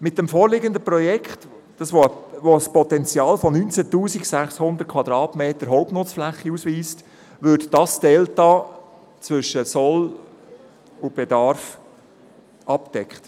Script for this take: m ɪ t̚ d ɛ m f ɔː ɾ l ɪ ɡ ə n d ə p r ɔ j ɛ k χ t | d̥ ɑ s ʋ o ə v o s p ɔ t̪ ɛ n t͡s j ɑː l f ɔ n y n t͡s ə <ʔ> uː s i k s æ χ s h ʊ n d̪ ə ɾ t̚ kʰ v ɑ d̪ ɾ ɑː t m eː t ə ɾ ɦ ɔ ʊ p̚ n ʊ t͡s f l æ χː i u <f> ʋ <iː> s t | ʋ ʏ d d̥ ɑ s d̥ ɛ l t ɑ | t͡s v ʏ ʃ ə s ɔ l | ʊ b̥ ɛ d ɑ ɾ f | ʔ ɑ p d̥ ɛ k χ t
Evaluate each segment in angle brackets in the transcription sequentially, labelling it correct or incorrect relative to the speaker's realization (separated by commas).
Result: incorrect, incorrect, correct